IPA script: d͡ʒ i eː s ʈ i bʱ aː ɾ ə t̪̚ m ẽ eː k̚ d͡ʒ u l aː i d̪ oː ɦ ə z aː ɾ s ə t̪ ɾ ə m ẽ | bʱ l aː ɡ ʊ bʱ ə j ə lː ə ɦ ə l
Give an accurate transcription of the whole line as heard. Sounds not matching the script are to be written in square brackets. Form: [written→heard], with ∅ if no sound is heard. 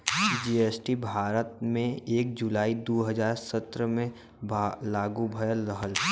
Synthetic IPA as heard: d͡ʒ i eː s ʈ i bʱ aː ɾ ə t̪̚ m ẽ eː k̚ d͡ʒ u l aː i d̪ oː ɦ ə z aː ɾ s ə t̪ ɾ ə m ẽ | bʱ l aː ɡ [ʊ→u] bʱ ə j ə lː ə ɦ ə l